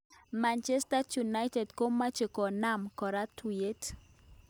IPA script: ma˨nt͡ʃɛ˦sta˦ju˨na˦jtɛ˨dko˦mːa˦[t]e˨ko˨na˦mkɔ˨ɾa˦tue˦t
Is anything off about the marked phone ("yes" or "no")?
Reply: yes